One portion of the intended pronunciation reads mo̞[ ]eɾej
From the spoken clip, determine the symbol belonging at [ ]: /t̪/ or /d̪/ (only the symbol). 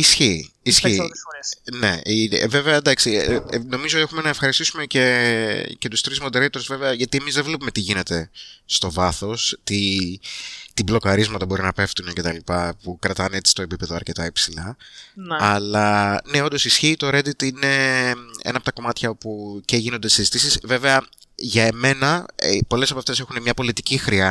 d̪